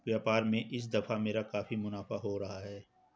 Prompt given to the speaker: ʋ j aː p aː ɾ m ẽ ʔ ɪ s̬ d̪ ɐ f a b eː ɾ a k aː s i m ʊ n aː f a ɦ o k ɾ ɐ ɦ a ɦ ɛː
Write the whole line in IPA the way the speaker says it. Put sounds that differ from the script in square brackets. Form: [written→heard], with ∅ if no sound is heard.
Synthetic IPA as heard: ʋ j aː p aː ɾ m ẽ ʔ ɪ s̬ d̪ ɐ f a [b→m] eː ɾ a k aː [s→f] i m ʊ n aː f a ɦ o [k→∅] ɾ ɐ ɦ a ɦ ɛː